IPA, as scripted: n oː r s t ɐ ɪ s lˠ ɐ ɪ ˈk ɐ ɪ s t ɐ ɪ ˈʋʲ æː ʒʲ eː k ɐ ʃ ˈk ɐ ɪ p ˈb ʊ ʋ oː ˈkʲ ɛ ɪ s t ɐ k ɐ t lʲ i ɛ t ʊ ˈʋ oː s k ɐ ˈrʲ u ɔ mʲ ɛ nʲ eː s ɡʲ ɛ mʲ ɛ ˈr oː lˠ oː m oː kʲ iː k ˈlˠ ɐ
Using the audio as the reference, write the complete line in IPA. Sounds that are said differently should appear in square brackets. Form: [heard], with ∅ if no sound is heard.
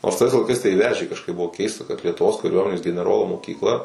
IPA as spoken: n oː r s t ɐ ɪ s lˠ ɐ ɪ ˈk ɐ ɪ s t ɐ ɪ ˈʋʲ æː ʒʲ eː k ɐ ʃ ˈk ɐ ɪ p ˈb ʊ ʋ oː ˈkʲ ɛ ɪ s t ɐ k ɐ t lʲ i ɛ t ʊ ˈʋ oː s k ɐ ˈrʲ u ɔ mʲ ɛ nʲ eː s ɡʲ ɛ [nʲ] ɛ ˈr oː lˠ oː m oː kʲ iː k ˈlˠ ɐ